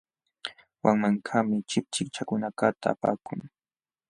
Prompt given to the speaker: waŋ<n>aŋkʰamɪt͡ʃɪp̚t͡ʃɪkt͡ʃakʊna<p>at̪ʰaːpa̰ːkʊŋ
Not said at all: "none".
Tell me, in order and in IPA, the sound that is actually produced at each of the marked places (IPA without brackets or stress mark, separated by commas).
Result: m, k